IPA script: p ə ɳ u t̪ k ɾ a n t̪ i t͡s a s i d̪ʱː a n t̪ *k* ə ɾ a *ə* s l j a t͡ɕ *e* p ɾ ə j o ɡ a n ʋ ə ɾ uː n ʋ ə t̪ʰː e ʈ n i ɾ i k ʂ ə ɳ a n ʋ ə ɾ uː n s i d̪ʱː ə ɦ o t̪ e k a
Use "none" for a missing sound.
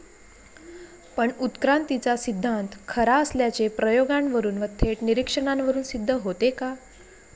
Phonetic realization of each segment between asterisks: kʰ, ə, e

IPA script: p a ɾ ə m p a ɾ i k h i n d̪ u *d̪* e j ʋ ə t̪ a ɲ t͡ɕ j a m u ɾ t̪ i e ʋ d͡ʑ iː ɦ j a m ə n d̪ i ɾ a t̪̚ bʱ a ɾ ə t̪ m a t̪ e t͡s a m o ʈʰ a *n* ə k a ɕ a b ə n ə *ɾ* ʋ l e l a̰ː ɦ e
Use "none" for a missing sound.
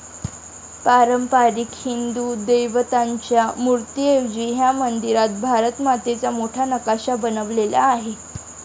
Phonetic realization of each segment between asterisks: d̪, n, none

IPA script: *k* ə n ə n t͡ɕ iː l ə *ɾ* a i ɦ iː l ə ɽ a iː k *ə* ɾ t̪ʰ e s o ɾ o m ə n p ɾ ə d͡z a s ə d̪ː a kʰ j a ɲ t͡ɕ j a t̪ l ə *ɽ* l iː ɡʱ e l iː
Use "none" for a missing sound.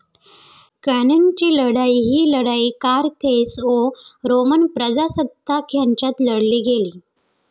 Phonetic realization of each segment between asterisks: k, ɽ, a, ɽ

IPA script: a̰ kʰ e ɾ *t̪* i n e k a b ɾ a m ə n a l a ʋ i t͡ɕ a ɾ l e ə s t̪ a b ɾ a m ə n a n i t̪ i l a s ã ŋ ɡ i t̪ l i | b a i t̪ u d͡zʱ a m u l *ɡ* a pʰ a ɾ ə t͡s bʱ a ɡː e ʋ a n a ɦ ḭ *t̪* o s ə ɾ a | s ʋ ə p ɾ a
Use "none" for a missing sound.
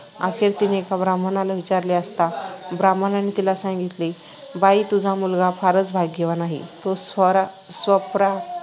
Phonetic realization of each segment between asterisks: t̪, ɡ, t̪

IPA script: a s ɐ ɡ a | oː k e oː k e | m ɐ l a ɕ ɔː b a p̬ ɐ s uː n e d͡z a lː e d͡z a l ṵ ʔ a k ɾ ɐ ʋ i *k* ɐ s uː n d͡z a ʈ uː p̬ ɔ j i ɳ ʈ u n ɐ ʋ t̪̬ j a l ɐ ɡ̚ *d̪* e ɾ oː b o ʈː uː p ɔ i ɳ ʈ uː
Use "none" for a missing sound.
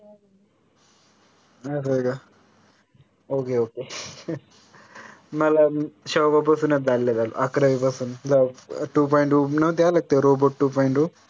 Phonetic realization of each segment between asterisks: p, t̪

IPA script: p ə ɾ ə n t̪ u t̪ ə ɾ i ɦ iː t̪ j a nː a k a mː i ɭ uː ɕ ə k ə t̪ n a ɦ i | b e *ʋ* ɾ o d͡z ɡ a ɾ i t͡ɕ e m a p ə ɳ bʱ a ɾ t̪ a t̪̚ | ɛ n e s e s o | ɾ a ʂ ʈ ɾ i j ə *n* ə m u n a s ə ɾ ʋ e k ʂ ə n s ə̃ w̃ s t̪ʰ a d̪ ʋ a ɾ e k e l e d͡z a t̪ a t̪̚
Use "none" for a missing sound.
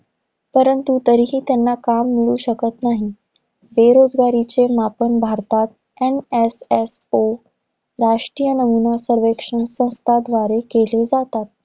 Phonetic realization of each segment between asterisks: none, n

